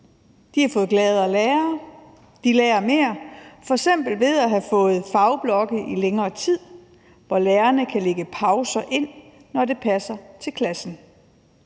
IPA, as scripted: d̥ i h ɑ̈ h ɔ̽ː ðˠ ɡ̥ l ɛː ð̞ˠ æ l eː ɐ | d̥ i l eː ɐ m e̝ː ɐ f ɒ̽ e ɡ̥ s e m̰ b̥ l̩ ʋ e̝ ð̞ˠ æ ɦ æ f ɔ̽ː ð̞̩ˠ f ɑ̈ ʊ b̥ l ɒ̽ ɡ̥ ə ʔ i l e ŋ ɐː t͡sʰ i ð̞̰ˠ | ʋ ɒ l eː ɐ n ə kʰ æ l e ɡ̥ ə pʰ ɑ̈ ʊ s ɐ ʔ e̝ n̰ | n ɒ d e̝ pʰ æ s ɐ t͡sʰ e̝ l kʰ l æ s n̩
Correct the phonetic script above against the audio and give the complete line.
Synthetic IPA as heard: d̥ i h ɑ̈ f ɔ̽ː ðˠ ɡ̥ l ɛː ð̞ˠ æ l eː ɐ | d̥ i l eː ɐ m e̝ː ɐ f ɒ̽ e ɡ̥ s e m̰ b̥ l̩ ʋ e̝ ð̞ˠ æ ɦ æ f ɔ̽ː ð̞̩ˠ f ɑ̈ ʊ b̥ l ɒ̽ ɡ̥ ə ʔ i l e ŋ ɐː t͡sʰ i ð̞̰ˠ | ʋ ɒ l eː ɐ n ə kʰ æ l e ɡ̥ ə pʰ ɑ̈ ʊ s ɐ ʔ e̝ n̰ | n ɒ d e̝ pʰ æ s ɐ t͡sʰ e̝ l kʰ l æ s n̩